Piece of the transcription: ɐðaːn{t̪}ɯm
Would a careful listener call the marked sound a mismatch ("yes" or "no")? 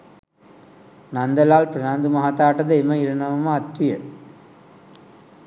yes